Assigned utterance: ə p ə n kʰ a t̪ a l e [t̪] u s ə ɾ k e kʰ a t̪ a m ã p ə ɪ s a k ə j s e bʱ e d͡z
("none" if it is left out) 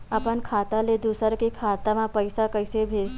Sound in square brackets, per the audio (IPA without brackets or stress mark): d̪